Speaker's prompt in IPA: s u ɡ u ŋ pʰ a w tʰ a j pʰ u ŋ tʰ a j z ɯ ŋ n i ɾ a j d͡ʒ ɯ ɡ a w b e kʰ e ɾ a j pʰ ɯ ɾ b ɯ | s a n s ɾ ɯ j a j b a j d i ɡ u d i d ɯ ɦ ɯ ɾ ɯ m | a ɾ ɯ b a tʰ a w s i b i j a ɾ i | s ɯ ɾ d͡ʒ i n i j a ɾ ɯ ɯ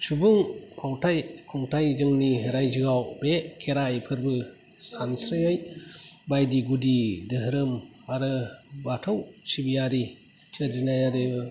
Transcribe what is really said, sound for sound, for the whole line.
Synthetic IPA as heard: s u b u ŋ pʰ a w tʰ a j kʰ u ŋ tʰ a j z ɯ ŋ n i ɾ a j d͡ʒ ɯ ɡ a w b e kʰ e ɾ a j pʰ ɯ ɾ b ɯ | s a n s ɾ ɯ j a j b a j d i ɡ u d i d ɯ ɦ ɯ ɾ ɯ m | a ɾ ɯ b a tʰ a w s i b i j a ɾ i | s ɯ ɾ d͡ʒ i n a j a ɾ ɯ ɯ